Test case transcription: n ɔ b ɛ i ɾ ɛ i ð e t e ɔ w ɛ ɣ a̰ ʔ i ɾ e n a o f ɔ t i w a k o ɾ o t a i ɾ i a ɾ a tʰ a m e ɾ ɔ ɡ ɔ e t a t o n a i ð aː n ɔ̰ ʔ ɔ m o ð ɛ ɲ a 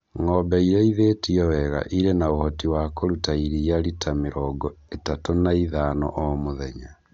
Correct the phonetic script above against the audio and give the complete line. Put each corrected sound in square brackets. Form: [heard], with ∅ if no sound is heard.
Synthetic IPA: [ŋ] ɔ b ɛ i ɾ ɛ i ð e t [i] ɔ w ɛ ɣ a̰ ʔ i ɾ e n a o [h] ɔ t i w a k o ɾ [u] t a i ɾ i a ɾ [i] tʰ a m e ɾ ɔ ɡ ɔ e t a t o n a i ð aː n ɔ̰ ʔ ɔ m o ð ɛ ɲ a